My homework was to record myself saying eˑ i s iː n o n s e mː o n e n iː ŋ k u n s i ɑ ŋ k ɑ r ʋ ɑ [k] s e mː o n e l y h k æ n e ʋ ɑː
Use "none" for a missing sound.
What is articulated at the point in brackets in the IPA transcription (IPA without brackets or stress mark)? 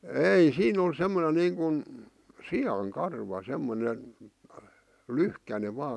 none